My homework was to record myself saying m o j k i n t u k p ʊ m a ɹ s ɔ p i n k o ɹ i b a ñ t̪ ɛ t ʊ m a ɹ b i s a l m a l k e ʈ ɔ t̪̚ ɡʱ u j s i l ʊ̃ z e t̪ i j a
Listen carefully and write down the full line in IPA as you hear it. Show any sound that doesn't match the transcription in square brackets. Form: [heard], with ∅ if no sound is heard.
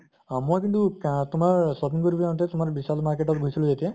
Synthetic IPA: m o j k i n t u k [t] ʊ m a ɹ s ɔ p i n k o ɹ i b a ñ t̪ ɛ t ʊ m a ɹ b i s a l m a [ɹ] k e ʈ ɔ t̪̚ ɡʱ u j s i l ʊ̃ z e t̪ i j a